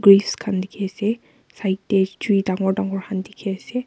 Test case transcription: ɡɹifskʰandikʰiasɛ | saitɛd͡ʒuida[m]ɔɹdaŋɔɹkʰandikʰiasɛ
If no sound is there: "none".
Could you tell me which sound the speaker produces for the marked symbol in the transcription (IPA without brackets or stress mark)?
ŋ